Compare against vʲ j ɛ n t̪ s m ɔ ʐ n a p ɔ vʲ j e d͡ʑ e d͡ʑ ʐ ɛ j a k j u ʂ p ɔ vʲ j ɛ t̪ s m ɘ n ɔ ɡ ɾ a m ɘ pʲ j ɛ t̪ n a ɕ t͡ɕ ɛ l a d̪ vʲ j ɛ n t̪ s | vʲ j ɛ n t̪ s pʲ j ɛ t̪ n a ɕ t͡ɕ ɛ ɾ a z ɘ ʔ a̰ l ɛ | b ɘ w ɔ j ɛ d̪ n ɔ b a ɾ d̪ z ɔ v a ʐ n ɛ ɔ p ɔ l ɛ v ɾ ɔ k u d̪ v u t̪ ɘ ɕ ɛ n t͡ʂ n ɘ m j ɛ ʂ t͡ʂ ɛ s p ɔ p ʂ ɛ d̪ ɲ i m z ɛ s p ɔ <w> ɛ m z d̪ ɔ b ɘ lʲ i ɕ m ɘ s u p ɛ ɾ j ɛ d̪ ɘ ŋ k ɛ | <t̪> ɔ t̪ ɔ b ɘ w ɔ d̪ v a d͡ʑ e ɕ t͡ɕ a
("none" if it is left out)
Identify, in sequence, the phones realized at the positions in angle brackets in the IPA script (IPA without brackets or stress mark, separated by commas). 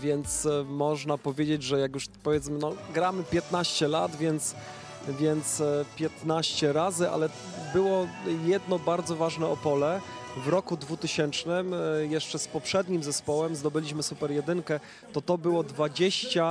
w, t̪